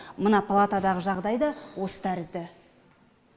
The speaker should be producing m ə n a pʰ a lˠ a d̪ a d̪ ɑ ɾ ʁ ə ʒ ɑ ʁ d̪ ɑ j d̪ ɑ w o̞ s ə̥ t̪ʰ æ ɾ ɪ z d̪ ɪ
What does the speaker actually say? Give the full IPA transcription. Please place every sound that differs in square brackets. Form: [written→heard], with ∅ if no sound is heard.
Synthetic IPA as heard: m ə n [a→ɑ] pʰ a lˠ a [d̪→t̪] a d̪ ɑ [ɾ→∅] ʁ ə ʒ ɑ ʁ d̪ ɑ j d̪ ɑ w o̞ s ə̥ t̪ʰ æ ɾ ɪ z d̪ ɪ